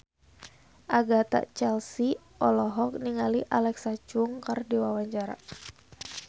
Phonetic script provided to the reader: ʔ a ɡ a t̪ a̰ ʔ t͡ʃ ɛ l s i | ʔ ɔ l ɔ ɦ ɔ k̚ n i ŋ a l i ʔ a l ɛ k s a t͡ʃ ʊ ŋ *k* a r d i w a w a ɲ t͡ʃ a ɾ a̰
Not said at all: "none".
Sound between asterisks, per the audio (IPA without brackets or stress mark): k